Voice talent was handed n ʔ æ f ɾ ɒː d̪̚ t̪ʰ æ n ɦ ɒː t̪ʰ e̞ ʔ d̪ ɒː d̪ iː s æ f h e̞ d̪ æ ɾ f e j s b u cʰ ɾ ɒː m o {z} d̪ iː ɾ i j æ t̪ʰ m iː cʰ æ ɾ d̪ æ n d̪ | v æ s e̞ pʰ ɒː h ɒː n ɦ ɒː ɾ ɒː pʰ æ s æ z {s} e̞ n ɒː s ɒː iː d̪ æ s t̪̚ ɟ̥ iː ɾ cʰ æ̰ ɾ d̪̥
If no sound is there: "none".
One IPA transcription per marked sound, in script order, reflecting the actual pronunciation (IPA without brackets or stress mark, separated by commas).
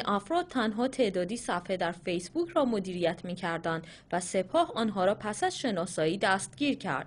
none, ʃ